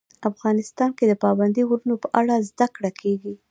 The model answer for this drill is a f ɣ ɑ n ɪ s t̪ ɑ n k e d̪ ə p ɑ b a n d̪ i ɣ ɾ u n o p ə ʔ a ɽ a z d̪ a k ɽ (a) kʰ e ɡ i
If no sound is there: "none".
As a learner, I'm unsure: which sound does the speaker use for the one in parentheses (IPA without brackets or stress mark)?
a